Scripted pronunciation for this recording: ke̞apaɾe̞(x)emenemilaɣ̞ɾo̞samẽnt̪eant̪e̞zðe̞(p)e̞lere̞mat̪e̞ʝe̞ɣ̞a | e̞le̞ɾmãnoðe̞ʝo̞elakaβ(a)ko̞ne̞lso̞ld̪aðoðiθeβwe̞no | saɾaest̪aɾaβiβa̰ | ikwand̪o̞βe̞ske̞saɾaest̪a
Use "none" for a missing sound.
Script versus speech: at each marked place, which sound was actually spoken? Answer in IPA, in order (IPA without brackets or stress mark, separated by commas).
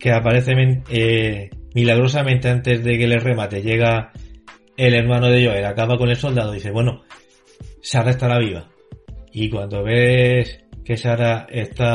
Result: θ, k, a